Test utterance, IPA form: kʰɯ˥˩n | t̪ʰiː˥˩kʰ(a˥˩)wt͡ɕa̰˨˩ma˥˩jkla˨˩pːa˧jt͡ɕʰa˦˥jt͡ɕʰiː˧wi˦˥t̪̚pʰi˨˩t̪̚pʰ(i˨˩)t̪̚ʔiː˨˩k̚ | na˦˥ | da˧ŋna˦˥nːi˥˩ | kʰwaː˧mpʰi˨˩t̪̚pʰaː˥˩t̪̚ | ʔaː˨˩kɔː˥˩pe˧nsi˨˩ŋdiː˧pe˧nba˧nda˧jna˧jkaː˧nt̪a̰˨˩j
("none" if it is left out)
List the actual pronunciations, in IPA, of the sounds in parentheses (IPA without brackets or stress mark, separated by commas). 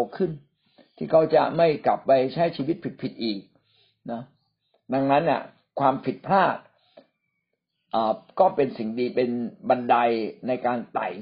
a˦˥, i˨˩